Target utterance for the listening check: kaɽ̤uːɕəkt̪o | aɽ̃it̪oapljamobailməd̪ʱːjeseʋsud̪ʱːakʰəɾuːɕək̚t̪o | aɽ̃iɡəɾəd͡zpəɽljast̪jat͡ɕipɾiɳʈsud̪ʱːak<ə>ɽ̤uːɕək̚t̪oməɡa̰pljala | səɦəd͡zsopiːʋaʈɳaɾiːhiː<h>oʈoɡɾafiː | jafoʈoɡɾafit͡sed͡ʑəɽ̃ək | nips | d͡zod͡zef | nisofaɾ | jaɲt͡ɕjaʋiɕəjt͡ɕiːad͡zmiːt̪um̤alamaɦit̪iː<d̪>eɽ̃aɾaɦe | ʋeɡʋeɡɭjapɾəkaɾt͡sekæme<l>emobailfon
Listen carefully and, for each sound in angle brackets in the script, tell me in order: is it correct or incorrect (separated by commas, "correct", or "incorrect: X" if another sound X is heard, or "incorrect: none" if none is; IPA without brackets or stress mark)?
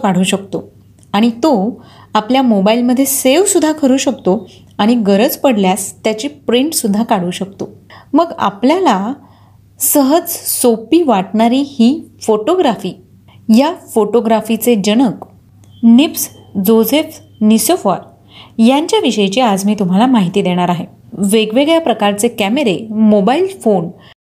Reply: incorrect: a, incorrect: f, correct, incorrect: ɾ